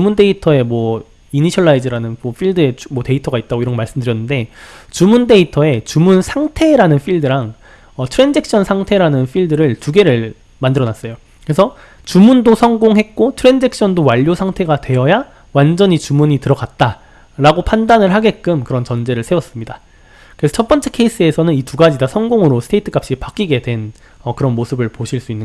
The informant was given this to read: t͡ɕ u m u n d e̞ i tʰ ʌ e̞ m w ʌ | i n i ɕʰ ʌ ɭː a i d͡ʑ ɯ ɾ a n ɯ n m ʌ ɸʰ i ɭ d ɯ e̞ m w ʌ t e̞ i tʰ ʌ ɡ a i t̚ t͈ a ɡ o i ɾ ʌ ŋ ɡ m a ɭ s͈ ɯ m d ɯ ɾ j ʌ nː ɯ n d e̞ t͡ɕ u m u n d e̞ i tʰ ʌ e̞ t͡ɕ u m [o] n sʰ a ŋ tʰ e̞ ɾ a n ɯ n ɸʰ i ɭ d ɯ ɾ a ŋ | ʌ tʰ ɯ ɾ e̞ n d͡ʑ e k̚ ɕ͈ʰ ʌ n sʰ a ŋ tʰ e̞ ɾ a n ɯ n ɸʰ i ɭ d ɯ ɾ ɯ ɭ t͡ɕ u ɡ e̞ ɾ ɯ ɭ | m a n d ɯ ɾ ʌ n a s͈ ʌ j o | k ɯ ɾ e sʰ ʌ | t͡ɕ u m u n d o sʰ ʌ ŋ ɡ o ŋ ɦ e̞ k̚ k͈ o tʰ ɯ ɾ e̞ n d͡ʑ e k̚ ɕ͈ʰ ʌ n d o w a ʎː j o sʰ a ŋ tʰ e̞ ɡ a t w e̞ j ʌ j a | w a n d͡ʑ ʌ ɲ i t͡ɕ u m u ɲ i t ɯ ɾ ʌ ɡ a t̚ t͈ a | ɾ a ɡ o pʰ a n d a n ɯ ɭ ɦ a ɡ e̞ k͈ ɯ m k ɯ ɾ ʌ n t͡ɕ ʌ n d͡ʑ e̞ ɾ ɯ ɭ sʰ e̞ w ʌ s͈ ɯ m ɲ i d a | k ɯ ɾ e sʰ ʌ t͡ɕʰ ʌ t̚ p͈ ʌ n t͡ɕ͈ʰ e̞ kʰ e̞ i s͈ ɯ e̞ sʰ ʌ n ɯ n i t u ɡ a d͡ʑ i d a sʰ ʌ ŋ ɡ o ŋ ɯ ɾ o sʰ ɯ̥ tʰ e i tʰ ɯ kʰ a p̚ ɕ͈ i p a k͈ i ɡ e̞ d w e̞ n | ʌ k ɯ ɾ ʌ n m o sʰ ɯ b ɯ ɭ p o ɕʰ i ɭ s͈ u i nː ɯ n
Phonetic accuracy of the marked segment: incorrect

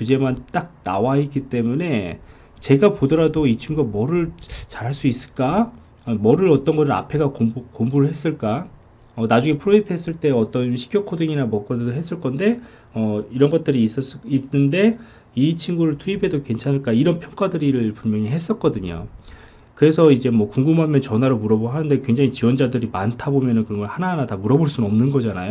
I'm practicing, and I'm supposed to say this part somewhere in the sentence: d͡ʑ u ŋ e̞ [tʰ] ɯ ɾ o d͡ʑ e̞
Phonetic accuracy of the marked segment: incorrect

